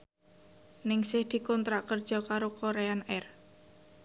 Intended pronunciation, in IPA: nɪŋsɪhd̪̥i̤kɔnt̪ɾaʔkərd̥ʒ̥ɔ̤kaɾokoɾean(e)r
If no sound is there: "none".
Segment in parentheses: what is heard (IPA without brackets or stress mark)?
ɛ